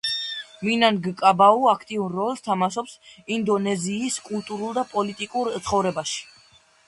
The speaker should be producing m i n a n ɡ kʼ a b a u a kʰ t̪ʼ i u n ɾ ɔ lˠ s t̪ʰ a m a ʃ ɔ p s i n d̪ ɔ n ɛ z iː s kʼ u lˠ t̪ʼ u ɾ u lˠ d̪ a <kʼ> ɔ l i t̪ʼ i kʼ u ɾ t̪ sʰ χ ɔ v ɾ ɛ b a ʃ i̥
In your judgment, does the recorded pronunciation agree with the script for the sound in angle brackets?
no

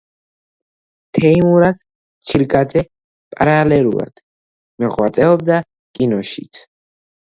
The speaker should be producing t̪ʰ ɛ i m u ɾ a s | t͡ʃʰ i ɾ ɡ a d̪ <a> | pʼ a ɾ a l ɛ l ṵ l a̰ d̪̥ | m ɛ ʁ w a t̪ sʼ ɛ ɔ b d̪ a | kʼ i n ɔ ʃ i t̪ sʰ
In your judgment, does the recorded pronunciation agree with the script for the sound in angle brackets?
no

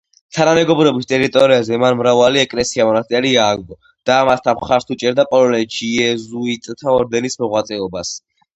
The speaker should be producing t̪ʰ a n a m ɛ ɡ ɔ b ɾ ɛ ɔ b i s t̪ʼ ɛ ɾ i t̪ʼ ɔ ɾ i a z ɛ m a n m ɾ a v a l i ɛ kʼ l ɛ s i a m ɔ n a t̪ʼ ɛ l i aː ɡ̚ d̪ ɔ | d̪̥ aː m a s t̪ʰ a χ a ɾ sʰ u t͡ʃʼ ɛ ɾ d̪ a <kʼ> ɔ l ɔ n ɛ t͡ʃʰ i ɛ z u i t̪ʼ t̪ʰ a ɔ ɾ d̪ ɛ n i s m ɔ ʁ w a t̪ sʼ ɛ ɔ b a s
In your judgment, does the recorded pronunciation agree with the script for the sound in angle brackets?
no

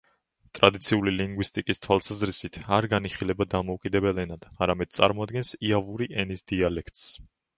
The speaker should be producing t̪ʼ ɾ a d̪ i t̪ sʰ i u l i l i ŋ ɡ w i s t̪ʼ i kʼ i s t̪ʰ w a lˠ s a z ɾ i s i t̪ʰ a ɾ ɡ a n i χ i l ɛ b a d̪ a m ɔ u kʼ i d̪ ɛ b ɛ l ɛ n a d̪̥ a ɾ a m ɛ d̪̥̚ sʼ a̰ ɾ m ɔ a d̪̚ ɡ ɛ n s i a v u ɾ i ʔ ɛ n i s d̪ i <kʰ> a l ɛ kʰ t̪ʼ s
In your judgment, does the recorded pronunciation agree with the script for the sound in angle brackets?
no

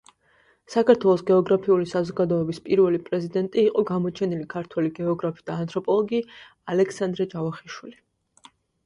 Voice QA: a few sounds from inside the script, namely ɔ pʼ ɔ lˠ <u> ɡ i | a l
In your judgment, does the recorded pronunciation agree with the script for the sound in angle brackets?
no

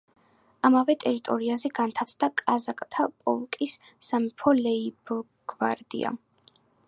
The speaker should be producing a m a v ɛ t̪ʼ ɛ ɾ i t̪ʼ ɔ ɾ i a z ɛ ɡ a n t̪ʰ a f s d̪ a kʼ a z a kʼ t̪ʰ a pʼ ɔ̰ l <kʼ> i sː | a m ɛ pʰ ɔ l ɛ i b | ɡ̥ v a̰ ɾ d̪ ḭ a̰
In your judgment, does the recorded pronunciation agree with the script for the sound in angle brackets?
yes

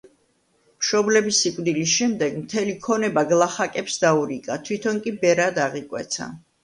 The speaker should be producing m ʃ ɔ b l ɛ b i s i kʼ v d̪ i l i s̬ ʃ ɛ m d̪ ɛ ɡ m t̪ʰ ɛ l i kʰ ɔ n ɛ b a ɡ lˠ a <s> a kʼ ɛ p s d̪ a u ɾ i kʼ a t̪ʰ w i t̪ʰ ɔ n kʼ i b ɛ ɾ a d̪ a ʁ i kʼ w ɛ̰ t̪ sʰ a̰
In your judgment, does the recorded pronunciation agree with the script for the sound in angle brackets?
no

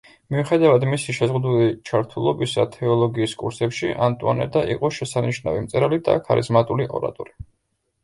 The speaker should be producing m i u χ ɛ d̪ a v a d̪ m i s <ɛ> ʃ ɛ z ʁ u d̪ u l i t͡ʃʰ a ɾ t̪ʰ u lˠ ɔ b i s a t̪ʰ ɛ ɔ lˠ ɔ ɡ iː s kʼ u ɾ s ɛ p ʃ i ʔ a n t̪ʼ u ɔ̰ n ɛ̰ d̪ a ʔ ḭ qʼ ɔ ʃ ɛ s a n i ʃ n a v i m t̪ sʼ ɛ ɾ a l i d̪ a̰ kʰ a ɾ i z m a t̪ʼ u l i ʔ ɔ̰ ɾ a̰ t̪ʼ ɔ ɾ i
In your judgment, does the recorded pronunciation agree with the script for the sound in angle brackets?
no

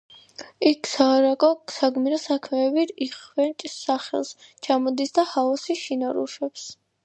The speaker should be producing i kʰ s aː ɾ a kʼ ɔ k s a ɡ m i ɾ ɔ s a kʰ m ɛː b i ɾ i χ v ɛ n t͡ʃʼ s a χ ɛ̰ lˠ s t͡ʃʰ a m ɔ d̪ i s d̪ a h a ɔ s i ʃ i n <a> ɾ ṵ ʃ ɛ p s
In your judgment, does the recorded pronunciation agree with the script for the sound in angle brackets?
yes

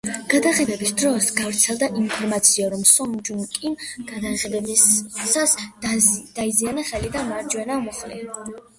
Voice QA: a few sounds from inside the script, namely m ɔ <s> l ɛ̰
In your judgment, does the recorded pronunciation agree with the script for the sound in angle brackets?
no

